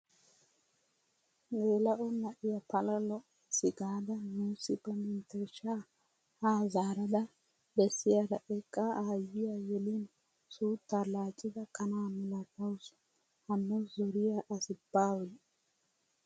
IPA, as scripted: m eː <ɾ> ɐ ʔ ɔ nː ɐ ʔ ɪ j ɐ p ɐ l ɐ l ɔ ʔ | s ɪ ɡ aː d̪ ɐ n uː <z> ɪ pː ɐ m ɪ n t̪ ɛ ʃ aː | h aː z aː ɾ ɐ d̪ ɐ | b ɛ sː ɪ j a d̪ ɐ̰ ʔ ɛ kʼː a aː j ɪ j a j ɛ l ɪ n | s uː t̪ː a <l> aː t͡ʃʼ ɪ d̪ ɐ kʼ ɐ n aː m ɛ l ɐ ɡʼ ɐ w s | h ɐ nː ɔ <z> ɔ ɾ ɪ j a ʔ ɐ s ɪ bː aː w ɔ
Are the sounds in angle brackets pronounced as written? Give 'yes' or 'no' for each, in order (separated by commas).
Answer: no, no, yes, yes